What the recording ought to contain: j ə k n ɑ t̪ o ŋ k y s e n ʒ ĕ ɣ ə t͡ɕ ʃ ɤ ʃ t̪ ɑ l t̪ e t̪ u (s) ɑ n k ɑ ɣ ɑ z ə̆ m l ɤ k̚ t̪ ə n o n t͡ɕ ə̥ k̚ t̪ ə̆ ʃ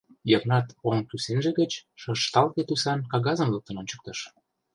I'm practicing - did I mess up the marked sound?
no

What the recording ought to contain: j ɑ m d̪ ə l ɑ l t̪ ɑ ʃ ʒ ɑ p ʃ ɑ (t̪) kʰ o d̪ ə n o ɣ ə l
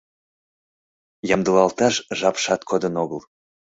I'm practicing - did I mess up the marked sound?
no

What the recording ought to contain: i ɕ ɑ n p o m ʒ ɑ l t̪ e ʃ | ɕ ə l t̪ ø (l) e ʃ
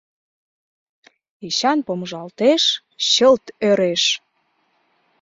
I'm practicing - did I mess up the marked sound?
yes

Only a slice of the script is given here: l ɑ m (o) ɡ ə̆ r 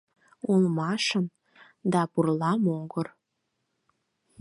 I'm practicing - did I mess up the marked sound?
no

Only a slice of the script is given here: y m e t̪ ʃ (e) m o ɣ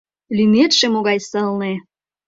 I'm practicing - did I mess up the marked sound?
no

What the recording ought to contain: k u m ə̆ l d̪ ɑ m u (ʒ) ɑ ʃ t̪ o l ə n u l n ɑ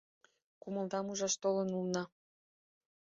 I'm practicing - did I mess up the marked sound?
no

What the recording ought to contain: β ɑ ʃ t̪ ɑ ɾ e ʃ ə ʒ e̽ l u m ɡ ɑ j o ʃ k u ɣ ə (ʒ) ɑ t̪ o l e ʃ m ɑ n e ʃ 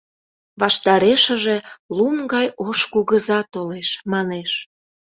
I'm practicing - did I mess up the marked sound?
yes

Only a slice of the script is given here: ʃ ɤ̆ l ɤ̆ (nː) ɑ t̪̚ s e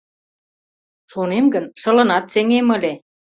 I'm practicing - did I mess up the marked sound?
yes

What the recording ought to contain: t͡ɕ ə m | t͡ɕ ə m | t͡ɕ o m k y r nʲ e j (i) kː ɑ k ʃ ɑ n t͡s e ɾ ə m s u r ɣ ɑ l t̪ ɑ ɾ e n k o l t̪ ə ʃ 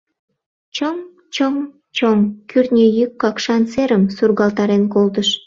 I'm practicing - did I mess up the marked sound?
yes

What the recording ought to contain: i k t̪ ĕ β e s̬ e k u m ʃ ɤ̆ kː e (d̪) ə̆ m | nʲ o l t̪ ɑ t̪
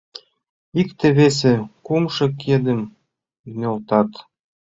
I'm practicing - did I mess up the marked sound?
no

